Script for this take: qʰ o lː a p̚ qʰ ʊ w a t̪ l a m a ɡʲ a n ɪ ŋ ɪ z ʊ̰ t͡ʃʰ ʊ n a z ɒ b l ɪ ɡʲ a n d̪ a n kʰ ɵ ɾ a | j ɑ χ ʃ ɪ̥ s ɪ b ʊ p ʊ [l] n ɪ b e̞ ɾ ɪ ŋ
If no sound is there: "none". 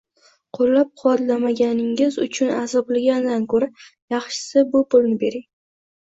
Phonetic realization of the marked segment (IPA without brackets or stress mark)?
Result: l